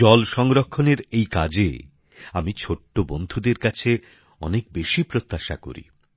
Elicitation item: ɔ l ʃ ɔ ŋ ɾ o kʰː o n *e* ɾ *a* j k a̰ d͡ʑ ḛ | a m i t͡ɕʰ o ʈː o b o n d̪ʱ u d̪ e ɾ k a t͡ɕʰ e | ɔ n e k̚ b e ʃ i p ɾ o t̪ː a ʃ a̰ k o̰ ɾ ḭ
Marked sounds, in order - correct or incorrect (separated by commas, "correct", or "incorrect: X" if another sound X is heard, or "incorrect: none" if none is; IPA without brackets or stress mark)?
correct, incorrect: e